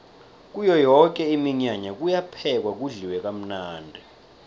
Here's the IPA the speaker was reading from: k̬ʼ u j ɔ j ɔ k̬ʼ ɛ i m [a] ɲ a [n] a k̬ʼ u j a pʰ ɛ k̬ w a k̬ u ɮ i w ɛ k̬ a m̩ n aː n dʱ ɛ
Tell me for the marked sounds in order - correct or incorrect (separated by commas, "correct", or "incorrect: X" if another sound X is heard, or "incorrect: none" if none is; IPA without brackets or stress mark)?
incorrect: i, incorrect: ɲ